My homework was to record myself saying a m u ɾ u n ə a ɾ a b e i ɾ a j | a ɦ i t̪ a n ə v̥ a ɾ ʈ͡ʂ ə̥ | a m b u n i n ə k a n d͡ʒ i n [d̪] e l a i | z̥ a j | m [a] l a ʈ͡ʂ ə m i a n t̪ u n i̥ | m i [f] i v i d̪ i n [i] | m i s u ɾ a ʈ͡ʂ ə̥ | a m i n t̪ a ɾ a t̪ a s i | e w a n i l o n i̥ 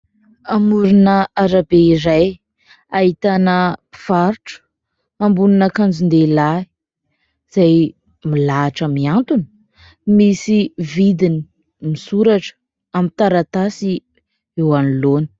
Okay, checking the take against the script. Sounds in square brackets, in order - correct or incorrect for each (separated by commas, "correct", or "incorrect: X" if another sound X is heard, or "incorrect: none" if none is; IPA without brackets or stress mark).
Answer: correct, incorrect: i, incorrect: s, correct